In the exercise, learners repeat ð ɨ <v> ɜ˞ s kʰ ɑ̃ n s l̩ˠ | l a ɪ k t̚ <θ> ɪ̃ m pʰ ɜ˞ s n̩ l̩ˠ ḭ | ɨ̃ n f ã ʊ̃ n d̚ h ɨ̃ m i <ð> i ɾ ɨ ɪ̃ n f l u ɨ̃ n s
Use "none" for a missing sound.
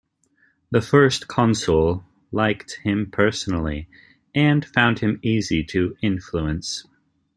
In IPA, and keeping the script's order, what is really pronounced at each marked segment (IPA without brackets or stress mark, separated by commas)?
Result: f, h, z